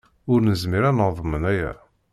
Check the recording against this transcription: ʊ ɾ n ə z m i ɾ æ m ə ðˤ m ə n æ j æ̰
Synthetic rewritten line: ʊ ɾ n ə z m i ɾ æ n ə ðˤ m ə n æ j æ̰